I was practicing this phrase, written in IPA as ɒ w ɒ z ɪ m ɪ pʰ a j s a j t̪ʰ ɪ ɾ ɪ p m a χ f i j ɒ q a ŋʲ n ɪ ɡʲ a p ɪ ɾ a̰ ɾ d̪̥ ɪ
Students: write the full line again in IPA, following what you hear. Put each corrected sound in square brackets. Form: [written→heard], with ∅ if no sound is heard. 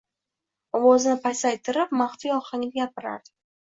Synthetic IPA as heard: ɒ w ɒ z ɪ [m→n] ɪ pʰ a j s a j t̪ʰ ɪ ɾ ɪ p m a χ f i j ɒ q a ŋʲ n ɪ ɡʲ a p ɪ ɾ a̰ ɾ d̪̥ ɪ